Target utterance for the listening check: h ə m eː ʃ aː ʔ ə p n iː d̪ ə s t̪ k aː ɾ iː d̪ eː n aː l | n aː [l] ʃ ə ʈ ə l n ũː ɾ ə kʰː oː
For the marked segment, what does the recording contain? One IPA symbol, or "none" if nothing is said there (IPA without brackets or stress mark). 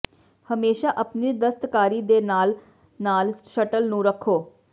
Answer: l